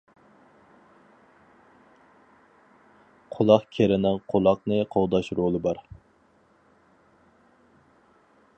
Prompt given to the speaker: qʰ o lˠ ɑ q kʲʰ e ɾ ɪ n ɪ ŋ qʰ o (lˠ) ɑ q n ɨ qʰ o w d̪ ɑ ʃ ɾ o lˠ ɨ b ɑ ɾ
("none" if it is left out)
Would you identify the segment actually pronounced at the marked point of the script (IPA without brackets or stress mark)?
lˠ